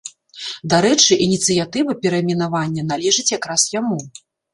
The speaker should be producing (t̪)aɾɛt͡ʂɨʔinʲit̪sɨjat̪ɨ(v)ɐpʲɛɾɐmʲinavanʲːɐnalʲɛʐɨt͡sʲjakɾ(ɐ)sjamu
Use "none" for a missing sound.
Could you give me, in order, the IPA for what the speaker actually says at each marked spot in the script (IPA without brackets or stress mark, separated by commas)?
d̪, v, a